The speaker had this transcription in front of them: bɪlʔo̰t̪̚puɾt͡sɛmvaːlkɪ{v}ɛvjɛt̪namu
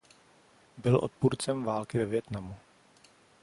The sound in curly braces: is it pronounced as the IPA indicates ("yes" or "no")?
yes